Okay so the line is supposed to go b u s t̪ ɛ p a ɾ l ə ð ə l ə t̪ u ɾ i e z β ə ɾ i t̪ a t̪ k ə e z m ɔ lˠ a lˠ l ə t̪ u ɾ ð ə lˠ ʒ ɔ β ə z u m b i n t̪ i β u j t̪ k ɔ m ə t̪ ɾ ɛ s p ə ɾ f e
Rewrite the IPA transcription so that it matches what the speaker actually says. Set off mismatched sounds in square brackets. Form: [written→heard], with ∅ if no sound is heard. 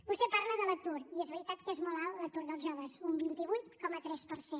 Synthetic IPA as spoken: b u s t̪ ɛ p a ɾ l ə ð ə l ə t̪ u ɾ i e z β ə ɾ i t̪ a t̪ k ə e z m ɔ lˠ a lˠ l ə t̪ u ɾ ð ə lˠ ʒ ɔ β ə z u m b i n t̪ i β u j t̪ k ɔ m ə t̪ ɾ ɛ s p ə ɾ [f→s] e